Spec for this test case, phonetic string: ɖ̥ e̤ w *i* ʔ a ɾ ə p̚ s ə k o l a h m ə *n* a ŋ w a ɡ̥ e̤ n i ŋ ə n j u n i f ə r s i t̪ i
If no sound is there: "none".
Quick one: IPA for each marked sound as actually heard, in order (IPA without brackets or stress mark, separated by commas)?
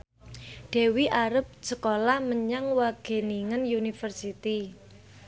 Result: i, ɲ